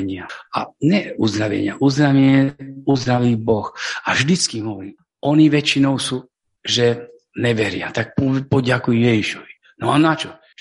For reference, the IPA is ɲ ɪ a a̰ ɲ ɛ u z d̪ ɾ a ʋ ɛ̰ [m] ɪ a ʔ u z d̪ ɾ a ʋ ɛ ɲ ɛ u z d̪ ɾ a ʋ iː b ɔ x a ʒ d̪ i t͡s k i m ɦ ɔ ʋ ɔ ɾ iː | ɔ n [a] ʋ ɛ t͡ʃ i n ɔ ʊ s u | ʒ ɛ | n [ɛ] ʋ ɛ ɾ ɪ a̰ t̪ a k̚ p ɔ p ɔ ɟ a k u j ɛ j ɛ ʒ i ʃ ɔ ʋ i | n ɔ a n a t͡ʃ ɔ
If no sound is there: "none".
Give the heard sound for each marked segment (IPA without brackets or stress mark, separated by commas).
ɲ, i, ɛ